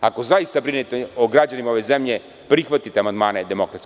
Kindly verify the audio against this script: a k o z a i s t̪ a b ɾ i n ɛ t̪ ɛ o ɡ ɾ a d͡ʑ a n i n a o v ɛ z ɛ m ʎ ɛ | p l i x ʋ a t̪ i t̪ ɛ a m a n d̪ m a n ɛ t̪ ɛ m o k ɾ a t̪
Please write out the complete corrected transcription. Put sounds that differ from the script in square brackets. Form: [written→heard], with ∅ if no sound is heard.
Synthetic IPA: a k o z a i s t̪ a b ɾ i n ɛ t̪ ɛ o ɡ ɾ a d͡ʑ a n i [n→m] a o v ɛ z ɛ m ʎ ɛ | p [l→ɾ] i x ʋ a t̪ i t̪ ɛ a m a n d̪ m a n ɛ [t̪→d̪] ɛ m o k ɾ a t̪